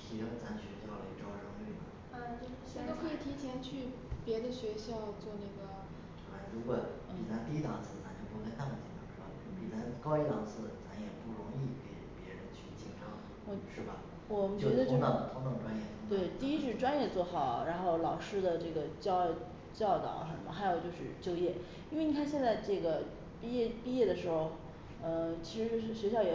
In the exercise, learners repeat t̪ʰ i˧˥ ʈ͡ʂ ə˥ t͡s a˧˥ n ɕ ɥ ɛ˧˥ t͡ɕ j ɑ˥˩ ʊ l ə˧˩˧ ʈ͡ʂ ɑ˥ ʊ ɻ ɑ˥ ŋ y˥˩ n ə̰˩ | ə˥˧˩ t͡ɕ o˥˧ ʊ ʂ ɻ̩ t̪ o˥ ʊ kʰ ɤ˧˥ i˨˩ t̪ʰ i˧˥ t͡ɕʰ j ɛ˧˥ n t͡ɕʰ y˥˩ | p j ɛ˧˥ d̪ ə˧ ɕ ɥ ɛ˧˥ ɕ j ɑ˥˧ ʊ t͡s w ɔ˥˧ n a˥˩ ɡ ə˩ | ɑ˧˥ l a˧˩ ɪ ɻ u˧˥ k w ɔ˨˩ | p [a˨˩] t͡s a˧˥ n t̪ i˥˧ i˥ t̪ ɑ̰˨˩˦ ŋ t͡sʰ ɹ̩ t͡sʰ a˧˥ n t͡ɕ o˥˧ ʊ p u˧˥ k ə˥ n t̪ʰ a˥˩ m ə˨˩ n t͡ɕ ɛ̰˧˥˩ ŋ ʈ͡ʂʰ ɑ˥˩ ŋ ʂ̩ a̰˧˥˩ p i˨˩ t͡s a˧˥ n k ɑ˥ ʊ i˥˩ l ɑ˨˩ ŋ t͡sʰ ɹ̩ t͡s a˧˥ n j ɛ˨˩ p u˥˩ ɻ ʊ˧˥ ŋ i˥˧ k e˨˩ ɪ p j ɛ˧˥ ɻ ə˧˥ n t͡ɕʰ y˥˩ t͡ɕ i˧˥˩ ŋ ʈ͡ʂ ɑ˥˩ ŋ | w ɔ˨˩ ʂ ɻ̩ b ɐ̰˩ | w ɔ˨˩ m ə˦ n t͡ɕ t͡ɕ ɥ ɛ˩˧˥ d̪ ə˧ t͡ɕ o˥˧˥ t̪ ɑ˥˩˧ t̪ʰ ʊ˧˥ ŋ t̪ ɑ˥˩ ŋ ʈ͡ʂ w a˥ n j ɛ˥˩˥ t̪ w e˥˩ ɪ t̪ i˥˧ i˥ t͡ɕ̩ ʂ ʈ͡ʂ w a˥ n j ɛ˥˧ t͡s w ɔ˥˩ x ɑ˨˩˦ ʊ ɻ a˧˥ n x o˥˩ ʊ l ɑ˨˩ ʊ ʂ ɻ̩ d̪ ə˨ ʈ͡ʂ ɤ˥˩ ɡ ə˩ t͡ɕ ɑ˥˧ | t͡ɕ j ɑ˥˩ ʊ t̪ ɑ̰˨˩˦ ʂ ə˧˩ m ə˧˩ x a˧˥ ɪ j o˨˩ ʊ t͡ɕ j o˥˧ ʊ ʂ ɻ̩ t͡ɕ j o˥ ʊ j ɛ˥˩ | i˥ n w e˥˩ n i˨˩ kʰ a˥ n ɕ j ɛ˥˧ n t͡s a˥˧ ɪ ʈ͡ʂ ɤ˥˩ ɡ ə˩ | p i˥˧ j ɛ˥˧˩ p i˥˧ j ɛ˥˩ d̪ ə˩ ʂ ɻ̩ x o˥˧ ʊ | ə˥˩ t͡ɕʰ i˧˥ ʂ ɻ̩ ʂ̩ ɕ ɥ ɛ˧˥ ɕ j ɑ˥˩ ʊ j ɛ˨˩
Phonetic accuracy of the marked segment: incorrect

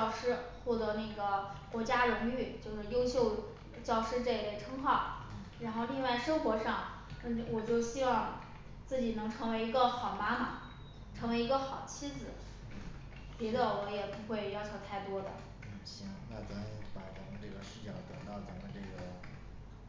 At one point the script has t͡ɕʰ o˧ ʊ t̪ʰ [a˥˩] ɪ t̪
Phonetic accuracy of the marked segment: correct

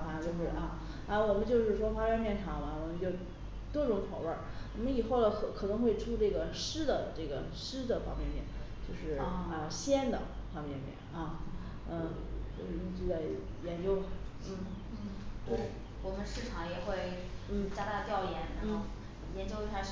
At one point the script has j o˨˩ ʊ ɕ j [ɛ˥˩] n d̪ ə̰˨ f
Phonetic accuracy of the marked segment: incorrect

